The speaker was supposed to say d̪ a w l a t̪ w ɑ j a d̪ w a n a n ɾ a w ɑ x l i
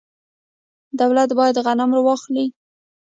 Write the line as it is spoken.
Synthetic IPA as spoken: d̪ a w l a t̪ b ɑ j a d̪ ɣ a n a m ɾ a w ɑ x l i